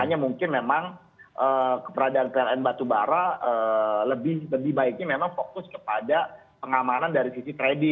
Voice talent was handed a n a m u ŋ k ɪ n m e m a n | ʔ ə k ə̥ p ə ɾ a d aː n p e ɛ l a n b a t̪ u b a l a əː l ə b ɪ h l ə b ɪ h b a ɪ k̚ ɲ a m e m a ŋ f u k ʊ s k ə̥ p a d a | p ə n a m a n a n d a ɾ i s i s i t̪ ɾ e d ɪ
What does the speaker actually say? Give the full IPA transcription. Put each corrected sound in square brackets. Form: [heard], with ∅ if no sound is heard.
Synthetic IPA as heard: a [ɲ] a m u ŋ k ɪ n m e m a [ŋ] | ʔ ə k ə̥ p ə ɾ a d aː n p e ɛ l [ɛ] n b a t̪ u b a [ɾ] a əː l ə b ɪ h l ə b ɪ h b a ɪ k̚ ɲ a m e m a ŋ f [o] k ʊ s k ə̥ p a d a | p ə [ŋ] a m a n a n d a ɾ i s i s i t̪ ɾ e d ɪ

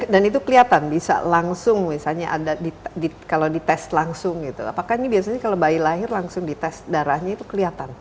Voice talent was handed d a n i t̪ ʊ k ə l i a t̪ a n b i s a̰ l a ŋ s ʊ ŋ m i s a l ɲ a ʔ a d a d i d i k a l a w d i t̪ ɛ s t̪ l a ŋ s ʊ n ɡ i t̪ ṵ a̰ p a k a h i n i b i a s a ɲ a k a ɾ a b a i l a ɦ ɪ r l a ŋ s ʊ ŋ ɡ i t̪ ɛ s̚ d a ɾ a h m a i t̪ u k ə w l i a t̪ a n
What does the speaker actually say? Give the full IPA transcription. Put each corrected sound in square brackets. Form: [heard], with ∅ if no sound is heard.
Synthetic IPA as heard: d a n i t̪ [u] k ə l i a t̪ a n b i s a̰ l a ŋ s ʊ ŋ m i s a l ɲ a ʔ a d a d i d i k a l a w d i t̪ ɛ s t̪ l a ŋ s ʊ [ŋ] ɡ i t̪ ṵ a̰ p a k a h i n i b i a s a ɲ a k a [l] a b a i l a ɦ ɪ r l a ŋ s ʊ ŋ [d] i t̪ ɛ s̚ d a ɾ a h [ɲ] a i t̪ u k ə [∅] l i a t̪ a n

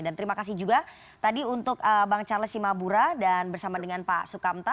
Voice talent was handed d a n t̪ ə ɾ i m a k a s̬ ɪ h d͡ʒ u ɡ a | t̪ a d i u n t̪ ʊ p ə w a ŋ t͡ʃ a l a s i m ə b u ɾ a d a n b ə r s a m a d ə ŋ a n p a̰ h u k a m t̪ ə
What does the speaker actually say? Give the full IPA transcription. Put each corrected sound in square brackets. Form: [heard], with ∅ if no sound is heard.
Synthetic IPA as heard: d a n t̪ ə ɾ i m a k a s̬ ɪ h d͡ʒ u ɡ a | t̪ a d i u n t̪ ʊ [k] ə [b] a ŋ t͡ʃ a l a s i m [a] b u ɾ a d a n b ə r s a m a d ə ŋ a n p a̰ [s] u k a m t̪ [a]

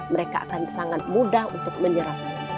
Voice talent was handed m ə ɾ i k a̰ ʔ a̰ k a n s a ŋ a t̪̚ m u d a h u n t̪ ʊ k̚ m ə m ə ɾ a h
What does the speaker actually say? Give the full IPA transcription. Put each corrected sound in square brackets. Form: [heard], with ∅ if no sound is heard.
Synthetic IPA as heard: m ə ɾ [e] k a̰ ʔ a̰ k a n s a ŋ a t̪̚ m u d a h u n t̪ ʊ k̚ m ə [ɲ] ə ɾ a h

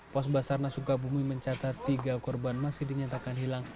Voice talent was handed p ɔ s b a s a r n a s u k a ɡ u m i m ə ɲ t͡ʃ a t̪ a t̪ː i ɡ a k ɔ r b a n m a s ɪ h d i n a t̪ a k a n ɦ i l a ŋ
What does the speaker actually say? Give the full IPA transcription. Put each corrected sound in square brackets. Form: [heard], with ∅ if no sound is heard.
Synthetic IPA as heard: p ɔ s b a s a r n a s u k a [b] u m i m ə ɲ t͡ʃ a t̪ a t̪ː i ɡ a k ɔ r b a n m a s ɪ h d i [ɲ] a t̪ a k a n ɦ i l a ŋ

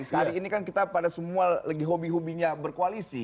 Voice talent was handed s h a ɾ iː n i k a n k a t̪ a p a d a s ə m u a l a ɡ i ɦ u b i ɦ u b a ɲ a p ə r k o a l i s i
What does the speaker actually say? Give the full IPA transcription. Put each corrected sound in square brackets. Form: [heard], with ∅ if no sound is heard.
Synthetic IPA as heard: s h a ɾ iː n i k a n k [i] t̪ a p a d a s ə m u a l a ɡ i ɦ [o] b i ɦ u b [i] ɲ a [b] ə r k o a l i s i

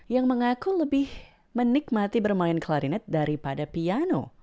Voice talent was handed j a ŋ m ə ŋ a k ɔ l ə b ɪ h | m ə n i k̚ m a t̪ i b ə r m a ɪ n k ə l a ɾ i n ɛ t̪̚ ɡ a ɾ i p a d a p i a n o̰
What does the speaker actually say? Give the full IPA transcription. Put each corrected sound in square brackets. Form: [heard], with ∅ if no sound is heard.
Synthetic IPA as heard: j a ŋ m ə ŋ a k [u] l ə b ɪ h | m ə n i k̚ m a t̪ i b ə r m a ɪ n k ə l a ɾ i n ɛ t̪̚ [d] a ɾ i p a d a p i a n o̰

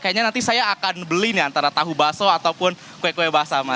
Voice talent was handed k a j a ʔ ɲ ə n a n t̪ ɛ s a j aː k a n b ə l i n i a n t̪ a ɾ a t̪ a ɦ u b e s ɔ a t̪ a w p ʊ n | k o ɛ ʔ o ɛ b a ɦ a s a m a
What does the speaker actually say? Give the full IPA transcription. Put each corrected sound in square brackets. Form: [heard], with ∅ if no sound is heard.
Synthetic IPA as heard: k a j a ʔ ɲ [a] n a n t̪ [i] s a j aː k a n b ə l i n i a n t̪ a ɾ a t̪ a ɦ u b [a] s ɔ a t̪ a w p ʊ n | k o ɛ [k] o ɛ b a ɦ a s a m a

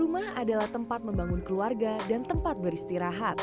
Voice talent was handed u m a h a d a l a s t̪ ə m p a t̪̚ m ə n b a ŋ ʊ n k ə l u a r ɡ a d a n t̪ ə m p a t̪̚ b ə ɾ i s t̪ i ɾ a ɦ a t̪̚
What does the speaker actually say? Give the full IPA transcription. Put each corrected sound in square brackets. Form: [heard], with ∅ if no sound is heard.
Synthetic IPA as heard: u m a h a d a l a [h] t̪ ə m p a t̪̚ m ə [m] b a ŋ ʊ n k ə l u a r ɡ a d a n t̪ ə m p a t̪̚ b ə ɾ i s t̪ i ɾ a ɦ a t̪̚

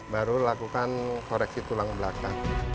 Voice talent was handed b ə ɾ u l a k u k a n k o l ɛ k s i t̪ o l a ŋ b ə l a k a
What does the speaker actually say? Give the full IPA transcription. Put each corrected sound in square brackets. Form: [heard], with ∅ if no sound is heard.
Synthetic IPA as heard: b [a] ɾ u l a k u k a n k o [ɾ] ɛ k s i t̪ [u] l a ŋ b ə l a k a

